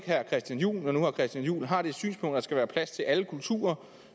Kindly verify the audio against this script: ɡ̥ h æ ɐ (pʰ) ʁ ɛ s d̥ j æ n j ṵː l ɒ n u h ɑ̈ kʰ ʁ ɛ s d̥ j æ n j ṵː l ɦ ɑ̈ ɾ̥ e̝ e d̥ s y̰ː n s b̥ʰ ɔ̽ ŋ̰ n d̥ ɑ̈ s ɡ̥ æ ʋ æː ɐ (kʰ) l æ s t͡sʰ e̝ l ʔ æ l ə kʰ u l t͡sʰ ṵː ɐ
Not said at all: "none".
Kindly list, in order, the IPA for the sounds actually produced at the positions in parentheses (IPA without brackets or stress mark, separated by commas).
kʰ, pʰ